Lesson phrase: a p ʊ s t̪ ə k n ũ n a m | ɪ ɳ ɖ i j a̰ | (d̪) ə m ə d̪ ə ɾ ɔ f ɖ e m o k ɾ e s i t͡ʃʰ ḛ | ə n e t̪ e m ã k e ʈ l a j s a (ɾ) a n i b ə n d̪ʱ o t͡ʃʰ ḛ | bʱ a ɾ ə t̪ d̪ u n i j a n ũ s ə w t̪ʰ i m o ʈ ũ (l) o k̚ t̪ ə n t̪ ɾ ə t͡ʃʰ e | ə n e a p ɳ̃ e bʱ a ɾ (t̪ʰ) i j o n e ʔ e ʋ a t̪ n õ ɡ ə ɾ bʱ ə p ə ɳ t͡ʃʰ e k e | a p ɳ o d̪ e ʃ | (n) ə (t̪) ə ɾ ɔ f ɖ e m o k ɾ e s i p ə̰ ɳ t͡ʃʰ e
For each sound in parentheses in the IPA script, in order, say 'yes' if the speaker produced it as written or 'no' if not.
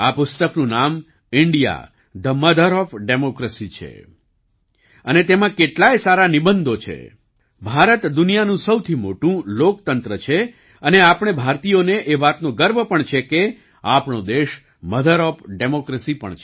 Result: yes, yes, yes, no, no, no

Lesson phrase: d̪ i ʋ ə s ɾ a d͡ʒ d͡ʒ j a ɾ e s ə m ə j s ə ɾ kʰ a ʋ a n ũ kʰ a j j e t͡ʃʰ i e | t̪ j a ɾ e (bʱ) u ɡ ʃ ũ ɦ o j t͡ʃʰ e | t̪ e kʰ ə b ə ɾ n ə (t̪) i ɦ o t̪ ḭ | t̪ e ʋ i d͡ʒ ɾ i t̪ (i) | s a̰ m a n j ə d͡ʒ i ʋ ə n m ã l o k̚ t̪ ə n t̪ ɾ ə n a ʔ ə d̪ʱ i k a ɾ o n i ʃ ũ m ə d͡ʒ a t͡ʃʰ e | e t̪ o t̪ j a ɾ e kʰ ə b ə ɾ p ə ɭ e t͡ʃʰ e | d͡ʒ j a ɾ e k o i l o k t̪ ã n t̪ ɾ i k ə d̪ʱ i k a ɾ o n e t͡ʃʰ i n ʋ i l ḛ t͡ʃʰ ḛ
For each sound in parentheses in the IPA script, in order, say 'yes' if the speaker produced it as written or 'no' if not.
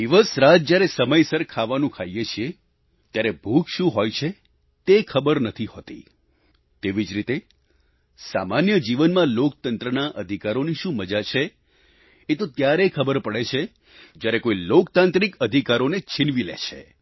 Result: yes, no, no

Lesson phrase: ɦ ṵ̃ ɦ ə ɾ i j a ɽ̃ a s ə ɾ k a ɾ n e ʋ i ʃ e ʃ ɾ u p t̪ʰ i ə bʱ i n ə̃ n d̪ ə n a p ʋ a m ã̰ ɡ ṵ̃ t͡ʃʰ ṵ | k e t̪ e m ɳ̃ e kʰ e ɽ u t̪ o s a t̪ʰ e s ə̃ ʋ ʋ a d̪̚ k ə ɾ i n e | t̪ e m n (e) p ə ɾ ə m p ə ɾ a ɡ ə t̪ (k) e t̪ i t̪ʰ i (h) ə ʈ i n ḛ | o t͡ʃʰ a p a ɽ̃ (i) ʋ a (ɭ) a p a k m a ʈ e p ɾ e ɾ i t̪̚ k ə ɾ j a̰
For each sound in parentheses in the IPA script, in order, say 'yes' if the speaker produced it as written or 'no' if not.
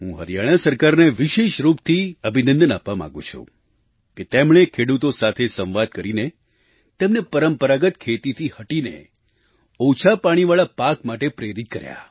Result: yes, no, yes, yes, yes

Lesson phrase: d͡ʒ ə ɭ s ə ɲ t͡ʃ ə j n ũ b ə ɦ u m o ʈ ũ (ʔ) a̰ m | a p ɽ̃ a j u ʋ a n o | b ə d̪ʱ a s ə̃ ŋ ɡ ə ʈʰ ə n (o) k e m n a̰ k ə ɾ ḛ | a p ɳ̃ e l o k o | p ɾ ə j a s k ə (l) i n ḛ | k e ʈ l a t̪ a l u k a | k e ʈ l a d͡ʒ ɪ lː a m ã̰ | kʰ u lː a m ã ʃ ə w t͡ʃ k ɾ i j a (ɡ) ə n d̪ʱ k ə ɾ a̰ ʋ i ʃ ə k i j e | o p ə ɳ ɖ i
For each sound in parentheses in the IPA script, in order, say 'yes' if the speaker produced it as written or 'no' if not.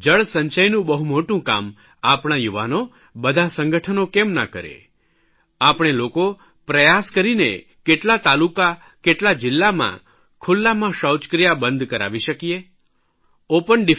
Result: no, yes, no, no

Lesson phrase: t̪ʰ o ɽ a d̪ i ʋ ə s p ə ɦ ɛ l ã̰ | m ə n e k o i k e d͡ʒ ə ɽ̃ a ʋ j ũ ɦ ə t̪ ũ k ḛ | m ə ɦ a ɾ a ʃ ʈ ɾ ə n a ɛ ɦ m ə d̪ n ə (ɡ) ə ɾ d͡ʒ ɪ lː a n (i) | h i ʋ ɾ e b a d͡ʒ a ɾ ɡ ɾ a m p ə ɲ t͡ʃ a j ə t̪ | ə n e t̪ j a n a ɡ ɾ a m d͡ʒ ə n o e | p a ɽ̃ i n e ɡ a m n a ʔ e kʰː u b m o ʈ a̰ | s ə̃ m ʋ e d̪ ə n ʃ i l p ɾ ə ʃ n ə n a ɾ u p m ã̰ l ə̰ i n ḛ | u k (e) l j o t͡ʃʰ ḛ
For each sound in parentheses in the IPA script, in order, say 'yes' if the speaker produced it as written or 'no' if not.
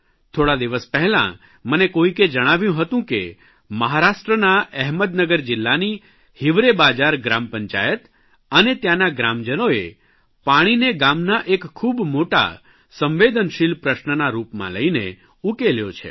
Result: yes, yes, yes

